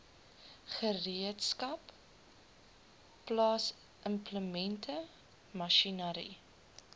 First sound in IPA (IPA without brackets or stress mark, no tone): χ